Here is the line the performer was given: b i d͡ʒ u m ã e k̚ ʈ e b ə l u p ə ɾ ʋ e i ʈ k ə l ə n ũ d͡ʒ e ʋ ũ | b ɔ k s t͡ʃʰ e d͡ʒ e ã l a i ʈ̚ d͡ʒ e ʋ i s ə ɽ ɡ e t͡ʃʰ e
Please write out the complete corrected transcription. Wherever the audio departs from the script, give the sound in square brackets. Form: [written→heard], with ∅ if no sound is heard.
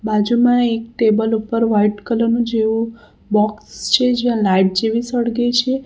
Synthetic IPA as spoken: b [i→a] d͡ʒ u m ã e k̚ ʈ e b ə l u p ə ɾ ʋ [e→a] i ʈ k ə l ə n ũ d͡ʒ e ʋ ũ | b ɔ k s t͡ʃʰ e d͡ʒ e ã l a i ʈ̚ d͡ʒ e ʋ i s ə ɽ ɡ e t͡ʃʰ e